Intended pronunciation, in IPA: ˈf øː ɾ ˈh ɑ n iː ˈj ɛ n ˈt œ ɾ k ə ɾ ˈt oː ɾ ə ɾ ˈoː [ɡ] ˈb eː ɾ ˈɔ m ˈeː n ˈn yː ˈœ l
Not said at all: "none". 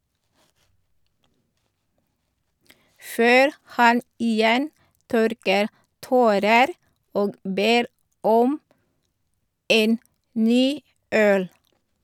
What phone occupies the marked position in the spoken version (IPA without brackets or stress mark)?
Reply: ɡ